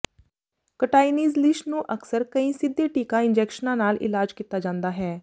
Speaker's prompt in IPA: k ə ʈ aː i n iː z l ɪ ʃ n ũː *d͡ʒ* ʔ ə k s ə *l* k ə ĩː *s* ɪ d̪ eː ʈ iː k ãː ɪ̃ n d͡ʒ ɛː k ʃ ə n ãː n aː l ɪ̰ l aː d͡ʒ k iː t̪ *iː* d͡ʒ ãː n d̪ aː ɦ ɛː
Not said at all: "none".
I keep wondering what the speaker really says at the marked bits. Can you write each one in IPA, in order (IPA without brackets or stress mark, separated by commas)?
none, ɾ, s, aː